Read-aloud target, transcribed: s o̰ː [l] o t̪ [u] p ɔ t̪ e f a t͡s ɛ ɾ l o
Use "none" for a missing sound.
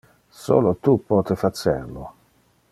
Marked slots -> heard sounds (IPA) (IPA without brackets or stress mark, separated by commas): l, u